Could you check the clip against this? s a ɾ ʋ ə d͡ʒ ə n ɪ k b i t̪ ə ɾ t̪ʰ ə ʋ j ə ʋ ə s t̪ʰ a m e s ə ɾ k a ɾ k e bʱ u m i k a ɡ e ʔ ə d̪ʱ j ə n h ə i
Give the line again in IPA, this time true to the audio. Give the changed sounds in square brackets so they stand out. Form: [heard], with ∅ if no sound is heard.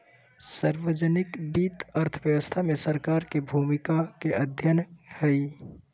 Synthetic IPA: s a ɾ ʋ ə d͡ʒ ə n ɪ k b i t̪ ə ɾ t̪ʰ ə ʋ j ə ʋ ə s t̪ʰ a m e s ə ɾ k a ɾ k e bʱ u m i k a [k] e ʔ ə d̪ʱ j ə n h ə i